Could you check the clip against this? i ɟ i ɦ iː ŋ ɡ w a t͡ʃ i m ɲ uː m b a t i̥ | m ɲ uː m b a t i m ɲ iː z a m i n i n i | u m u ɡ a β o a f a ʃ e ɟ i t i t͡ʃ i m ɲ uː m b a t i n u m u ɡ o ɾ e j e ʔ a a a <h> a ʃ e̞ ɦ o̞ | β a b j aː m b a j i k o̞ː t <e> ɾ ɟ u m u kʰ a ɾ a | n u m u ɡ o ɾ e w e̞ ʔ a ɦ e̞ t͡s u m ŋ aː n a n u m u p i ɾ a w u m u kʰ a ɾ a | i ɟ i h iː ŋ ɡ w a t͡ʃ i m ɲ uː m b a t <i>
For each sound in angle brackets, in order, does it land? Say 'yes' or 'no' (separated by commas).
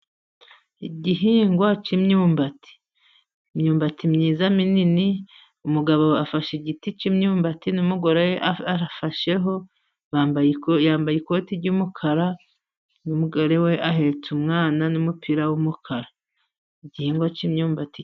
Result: no, no, yes